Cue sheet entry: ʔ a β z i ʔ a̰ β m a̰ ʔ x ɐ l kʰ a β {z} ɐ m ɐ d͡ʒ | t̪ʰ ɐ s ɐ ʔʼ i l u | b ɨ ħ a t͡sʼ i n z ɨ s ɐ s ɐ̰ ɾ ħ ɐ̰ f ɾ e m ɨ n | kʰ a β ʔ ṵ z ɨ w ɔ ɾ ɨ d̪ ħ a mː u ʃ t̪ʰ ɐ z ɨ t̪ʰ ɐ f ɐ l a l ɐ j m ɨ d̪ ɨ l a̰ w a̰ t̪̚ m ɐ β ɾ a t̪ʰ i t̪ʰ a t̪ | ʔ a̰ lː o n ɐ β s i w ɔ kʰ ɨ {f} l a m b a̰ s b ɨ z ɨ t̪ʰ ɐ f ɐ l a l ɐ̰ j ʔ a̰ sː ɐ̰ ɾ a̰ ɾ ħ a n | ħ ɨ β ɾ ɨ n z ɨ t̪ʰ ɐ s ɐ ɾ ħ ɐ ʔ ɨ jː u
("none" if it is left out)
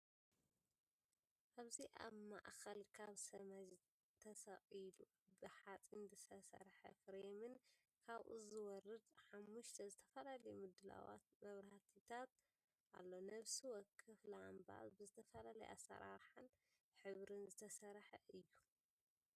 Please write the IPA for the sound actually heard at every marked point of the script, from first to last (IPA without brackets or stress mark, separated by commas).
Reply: s, f